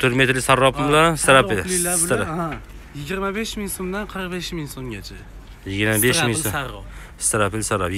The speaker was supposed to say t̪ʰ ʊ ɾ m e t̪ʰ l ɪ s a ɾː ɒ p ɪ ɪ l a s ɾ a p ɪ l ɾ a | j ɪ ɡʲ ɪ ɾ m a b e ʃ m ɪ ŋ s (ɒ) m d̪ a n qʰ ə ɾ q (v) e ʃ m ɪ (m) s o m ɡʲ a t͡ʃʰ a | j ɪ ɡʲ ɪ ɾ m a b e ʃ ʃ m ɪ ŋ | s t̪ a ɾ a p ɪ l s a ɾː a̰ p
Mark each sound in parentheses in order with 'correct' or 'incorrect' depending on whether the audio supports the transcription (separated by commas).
incorrect, incorrect, incorrect